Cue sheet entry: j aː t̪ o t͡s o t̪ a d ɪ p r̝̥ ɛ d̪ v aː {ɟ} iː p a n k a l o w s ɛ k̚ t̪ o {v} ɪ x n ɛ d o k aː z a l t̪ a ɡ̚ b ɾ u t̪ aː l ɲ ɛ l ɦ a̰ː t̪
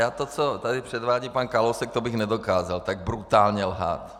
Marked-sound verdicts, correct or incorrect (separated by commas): correct, incorrect